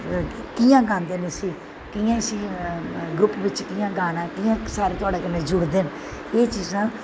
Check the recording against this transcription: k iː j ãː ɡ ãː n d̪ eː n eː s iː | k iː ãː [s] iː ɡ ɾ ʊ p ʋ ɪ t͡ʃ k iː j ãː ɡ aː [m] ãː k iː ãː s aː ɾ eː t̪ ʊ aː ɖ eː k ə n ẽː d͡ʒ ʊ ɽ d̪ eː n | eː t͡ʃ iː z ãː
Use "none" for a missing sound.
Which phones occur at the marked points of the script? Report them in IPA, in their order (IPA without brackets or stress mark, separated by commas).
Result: s, n